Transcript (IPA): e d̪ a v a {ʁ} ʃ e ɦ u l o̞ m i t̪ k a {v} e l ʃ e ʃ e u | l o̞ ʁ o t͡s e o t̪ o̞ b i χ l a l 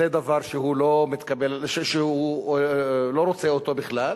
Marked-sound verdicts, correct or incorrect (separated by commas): correct, incorrect